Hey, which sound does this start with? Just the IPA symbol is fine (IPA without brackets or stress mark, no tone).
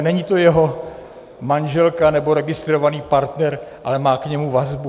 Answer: n